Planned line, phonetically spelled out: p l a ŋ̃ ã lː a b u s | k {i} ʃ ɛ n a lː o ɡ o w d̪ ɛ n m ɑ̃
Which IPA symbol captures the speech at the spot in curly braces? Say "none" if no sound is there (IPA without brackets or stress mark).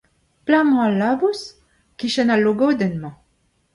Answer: i